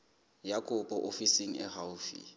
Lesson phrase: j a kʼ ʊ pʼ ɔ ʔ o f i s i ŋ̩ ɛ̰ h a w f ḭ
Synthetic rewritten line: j a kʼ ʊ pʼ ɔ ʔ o f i s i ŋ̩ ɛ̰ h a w f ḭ